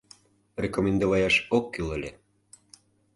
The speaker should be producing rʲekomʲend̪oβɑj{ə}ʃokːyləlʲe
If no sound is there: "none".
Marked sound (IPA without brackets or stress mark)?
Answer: ɑ